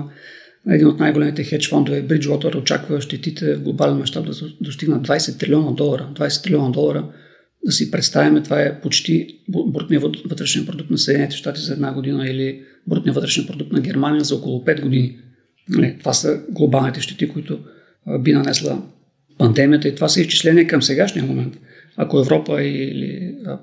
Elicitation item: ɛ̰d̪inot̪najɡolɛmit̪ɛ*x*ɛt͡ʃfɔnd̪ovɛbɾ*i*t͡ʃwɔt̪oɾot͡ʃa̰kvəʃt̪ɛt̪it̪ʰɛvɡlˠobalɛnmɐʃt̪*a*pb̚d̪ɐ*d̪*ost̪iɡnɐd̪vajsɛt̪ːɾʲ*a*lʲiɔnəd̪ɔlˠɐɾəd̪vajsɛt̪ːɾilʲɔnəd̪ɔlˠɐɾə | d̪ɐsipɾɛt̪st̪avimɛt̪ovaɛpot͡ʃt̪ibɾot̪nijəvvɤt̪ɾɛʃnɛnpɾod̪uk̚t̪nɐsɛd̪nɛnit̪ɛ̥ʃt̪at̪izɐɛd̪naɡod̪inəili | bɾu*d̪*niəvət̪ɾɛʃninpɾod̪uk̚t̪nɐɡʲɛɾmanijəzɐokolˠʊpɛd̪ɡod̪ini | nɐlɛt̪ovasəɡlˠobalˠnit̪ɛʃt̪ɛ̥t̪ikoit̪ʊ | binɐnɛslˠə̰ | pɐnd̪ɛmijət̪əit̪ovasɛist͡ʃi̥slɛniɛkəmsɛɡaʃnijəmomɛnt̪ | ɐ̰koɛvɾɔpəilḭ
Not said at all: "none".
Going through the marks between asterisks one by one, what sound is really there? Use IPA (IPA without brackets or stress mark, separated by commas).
x, i, a, d̪, i, t̪